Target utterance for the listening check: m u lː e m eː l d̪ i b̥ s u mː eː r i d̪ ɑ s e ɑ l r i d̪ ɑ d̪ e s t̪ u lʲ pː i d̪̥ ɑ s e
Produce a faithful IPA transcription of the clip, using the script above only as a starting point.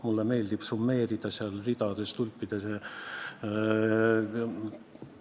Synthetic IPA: m u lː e m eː l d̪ i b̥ s u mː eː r i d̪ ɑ s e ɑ l r i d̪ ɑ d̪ e s t̪ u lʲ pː i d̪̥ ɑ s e